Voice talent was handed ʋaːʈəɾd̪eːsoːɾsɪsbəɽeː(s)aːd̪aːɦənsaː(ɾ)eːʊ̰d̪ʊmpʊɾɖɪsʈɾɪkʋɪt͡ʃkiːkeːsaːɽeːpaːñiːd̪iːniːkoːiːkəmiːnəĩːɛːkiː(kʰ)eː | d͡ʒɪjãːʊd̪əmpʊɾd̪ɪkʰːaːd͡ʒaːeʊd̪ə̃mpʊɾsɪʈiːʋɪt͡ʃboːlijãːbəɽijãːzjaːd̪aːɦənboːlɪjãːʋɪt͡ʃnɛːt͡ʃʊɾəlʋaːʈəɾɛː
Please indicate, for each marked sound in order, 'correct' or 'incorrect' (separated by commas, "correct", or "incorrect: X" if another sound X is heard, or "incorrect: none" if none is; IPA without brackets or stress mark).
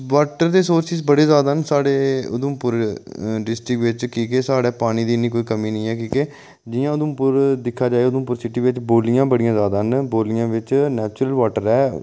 incorrect: z, incorrect: ɽ, incorrect: k